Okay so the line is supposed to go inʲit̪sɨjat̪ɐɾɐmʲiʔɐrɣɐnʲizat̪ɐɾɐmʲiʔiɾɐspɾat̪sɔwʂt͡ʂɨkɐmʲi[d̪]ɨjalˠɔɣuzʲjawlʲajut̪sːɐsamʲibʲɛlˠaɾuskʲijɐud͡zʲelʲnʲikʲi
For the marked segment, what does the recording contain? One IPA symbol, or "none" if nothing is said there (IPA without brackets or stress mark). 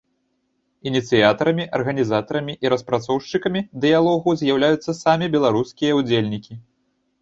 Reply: d̪